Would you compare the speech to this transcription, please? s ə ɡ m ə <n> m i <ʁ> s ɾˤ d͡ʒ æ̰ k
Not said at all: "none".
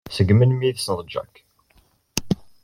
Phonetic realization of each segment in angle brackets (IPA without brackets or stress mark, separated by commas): n, ð